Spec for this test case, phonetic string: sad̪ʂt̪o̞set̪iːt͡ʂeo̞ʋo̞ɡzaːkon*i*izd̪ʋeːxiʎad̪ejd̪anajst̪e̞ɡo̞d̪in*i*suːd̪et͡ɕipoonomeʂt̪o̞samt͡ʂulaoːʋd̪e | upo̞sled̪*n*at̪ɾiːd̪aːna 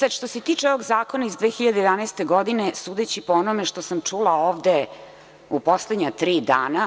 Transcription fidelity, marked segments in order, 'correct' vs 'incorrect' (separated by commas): incorrect, incorrect, incorrect